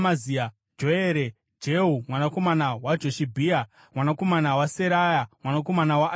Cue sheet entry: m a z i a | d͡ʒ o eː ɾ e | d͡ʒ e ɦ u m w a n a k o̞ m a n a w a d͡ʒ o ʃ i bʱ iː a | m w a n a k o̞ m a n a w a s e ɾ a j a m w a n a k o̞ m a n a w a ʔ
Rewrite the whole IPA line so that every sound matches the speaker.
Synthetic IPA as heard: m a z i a | d͡ʒ o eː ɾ e | d͡ʒ e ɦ u m w a n a k o̞ m a n a w a d͡ʒ o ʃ i bʱ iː a | m w a n a k o̞ m a n a w a s e ɾ a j a m w a n a k o̞ m a n a w a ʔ